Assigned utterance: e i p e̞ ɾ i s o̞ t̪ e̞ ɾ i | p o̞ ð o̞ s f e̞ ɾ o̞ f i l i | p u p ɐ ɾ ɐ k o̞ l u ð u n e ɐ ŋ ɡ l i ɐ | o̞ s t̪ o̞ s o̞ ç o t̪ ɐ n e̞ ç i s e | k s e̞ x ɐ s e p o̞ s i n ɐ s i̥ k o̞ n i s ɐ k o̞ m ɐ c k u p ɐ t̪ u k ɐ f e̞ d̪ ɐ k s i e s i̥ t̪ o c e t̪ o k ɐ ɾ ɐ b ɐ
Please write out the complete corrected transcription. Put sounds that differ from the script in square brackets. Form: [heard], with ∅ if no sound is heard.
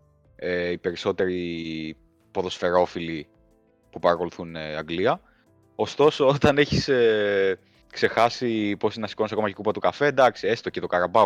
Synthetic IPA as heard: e i p e̞ ɾ i s o̞ t̪ e̞ ɾ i | p o̞ ð o̞ s f e̞ ɾ o̞ f i l i | p u p ɐ ɾ ɐ k o̞ l u [θ] u n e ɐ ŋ ɡ l i ɐ | o̞ s t̪ o̞ s o̞ [∅] o t̪ ɐ n e̞ ç i s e | k s e̞ x ɐ s [i] p o̞ s i n ɐ s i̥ k o̞ n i s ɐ k o̞ m ɐ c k u p ɐ t̪ u k ɐ f e̞ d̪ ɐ k s i e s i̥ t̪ o c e t̪ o k ɐ ɾ ɐ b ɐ